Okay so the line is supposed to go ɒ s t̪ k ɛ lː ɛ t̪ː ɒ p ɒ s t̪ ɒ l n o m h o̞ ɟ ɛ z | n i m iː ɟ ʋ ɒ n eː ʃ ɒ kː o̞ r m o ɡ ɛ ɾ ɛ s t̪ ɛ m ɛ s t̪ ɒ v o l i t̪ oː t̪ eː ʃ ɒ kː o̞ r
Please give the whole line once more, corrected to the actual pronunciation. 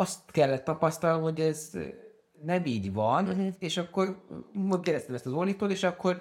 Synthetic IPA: ɒ s t̪ k ɛ lː ɛ t̪ː ɒ p ɒ s t̪ ɒ l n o m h o̞ ɟ ɛ z | n ɛ m iː ɟ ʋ ɒ n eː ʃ ɒ kː o̞ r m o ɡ ɛ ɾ ɛ s t̪ ɛ m ɛ s t̪ ɒ z o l i t̪ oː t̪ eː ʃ ɒ kː o̞ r